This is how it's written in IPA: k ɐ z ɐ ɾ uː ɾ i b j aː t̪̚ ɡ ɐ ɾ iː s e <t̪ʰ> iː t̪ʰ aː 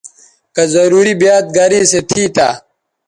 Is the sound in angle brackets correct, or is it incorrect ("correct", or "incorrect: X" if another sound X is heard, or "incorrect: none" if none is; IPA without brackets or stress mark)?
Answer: correct